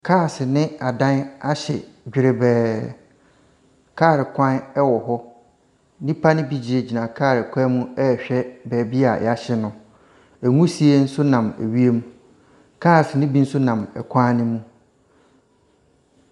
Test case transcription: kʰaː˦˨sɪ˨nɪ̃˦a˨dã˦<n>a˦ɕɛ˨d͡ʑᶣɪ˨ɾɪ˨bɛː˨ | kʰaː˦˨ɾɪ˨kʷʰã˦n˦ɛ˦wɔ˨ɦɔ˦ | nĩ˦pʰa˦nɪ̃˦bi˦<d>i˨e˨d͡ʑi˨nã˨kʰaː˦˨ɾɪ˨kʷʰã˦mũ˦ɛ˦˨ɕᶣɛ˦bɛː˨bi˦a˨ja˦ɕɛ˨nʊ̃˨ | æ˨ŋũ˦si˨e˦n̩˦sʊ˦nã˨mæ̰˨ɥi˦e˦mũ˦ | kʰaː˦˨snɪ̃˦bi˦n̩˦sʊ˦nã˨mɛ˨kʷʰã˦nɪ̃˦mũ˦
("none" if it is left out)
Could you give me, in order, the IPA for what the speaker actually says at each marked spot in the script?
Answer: n, d͡ʑ

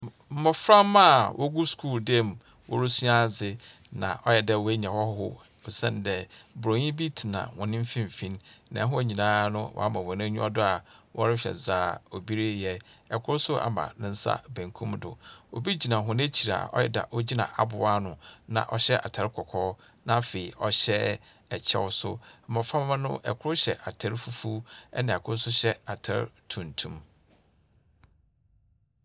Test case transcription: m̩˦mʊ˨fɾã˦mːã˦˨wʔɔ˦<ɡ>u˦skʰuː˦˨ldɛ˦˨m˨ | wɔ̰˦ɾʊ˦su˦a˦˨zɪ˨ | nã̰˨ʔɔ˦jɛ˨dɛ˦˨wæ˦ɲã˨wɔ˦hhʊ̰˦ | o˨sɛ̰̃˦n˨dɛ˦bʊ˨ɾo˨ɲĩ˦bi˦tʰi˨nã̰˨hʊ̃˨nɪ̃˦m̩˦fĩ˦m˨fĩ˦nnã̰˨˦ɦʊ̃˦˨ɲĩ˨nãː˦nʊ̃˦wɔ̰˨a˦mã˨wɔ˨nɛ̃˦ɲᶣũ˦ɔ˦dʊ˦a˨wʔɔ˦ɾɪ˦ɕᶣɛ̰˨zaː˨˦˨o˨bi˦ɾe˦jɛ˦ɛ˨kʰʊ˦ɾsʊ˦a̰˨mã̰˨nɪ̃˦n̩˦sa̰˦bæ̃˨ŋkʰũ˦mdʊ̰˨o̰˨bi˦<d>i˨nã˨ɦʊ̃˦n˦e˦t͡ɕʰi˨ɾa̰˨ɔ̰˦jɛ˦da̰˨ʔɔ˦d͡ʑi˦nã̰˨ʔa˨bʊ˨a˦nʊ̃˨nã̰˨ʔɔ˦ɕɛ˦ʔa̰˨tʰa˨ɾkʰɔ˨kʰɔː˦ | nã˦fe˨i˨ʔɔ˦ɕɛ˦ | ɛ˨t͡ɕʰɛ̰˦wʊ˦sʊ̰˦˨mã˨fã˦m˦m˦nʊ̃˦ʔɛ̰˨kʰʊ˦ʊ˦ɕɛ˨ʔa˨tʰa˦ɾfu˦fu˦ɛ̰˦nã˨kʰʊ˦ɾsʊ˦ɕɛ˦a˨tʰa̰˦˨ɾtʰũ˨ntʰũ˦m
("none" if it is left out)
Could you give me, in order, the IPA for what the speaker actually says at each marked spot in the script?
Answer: ɡ, d͡ʑ

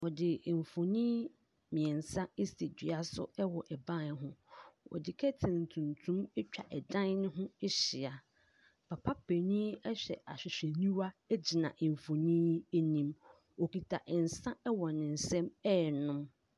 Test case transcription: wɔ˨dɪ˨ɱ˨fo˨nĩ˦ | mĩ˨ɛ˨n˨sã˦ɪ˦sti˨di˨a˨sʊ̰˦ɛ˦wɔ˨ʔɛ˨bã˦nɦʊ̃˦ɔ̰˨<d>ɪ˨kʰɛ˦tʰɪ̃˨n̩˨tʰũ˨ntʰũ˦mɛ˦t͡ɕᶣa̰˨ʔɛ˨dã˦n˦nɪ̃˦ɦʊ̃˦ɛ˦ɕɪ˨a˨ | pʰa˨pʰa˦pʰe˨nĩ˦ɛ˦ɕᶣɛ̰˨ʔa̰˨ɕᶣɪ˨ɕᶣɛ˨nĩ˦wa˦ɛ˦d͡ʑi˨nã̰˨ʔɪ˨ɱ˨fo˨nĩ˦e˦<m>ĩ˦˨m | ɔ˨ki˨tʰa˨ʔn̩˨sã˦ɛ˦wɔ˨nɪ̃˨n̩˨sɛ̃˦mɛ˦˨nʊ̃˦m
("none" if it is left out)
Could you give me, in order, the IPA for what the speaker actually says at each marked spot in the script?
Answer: d, n

